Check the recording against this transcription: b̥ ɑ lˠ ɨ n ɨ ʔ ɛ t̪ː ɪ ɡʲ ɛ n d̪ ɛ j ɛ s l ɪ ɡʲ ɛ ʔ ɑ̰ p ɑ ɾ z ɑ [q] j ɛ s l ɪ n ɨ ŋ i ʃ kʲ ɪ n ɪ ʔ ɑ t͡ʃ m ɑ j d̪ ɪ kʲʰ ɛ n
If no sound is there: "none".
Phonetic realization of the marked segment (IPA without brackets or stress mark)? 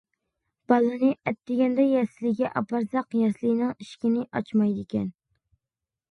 q